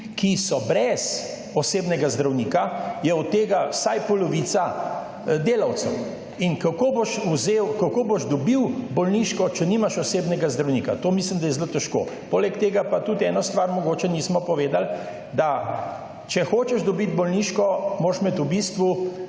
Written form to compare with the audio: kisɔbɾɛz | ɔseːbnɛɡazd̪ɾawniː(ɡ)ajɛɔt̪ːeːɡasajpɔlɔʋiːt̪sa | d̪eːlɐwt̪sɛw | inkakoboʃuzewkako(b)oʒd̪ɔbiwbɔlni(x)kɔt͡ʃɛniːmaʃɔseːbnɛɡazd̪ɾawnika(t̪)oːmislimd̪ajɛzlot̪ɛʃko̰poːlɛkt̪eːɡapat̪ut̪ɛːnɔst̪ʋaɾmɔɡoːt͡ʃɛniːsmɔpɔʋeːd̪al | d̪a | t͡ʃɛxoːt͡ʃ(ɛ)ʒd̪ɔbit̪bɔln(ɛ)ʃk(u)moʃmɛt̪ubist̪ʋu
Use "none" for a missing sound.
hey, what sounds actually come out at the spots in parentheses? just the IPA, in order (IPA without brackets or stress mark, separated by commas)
k, b, ʃ, t̪, ɛ, i, ɔ